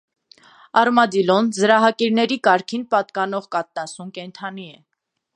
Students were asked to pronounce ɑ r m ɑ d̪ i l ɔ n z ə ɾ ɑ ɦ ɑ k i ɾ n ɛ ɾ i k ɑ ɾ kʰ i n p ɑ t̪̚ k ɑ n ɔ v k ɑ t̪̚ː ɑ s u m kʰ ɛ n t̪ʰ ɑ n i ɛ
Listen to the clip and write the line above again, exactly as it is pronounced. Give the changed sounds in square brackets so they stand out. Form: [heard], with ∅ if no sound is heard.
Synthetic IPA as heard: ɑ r m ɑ d̪ i l ɔ n z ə ɾ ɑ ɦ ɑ k i ɾ n ɛ ɾ i k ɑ ɾ kʰ i n p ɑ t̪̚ k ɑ n ɔ [ʁ] k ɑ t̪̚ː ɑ s u m [k] ɛ n t̪ʰ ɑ n i ɛ